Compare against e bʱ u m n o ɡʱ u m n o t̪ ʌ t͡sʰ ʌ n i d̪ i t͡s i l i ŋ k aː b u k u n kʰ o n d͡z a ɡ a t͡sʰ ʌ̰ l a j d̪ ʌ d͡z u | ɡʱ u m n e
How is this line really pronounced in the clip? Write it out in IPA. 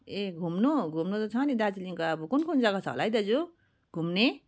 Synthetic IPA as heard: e ɡʱ u m n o ɡʱ u m n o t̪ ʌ t͡sʰ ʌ n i d̪ a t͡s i l i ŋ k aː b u k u n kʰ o n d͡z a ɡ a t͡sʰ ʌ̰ l a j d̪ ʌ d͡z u | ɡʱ u m n e